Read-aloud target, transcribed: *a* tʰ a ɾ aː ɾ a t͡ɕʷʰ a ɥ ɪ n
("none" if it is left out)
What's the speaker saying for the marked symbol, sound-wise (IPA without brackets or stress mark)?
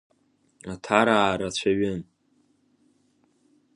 a